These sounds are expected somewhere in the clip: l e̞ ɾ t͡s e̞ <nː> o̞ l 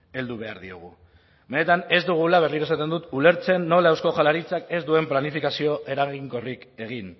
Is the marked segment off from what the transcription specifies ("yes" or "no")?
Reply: no